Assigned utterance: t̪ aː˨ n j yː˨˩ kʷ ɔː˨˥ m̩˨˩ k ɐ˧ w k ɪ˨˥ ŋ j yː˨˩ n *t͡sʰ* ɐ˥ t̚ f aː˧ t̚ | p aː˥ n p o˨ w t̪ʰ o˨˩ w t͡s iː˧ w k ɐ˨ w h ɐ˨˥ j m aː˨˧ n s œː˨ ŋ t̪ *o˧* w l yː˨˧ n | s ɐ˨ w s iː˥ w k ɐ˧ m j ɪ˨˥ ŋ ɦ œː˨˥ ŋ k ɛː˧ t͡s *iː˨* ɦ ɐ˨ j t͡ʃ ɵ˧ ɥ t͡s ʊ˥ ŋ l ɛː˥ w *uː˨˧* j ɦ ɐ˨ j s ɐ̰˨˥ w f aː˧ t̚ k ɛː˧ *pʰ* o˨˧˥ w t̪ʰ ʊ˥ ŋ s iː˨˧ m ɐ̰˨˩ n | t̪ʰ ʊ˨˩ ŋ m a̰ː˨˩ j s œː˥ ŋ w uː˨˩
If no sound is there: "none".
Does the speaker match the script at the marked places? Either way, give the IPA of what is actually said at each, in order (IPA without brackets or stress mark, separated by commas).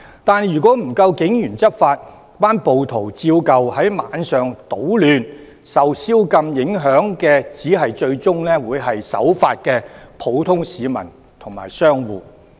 t͡s, o˨˥, iː˨˥, uː˨˧, pʰ